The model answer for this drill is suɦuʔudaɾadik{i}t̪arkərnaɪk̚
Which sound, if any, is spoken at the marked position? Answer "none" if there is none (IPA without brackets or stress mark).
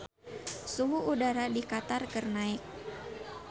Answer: a